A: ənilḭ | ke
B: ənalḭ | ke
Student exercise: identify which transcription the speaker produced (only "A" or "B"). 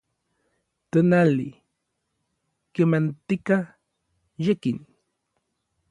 B